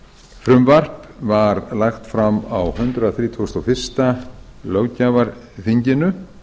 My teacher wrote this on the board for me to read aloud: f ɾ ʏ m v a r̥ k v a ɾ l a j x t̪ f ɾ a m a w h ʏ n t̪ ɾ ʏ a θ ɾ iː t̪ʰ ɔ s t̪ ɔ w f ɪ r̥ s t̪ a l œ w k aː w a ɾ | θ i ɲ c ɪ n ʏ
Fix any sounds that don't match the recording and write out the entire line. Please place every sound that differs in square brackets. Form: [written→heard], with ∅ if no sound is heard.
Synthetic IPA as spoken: f ɾ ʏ m v a r̥ [k→p] v a ɾ l a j x t̪ f ɾ a m a w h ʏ n t̪ ɾ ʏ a θ ɾ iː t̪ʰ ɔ s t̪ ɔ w f ɪ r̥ s t̪ a l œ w [k→c] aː [w→v] a ɾ | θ i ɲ c ɪ n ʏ